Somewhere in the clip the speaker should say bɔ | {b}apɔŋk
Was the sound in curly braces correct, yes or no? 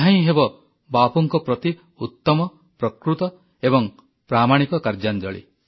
yes